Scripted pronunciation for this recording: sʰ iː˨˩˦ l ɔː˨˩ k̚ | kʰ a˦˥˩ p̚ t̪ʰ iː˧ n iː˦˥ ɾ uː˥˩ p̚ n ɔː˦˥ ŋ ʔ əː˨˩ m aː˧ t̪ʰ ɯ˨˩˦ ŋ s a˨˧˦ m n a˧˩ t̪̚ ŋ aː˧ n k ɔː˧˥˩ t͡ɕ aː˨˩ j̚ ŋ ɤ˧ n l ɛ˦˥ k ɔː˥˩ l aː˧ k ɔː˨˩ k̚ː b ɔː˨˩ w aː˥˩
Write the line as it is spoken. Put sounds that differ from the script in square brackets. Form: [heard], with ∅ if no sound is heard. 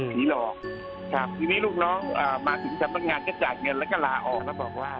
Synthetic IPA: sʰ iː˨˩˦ l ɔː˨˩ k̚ | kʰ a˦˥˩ p̚ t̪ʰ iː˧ n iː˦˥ [l] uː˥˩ [k̚] n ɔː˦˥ ŋ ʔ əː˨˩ m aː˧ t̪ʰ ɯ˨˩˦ ŋ s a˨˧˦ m n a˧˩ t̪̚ ŋ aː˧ n k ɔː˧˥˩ t͡ɕ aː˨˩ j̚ ŋ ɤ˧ n l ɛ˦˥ k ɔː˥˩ l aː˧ [ʔ] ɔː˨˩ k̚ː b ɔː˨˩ w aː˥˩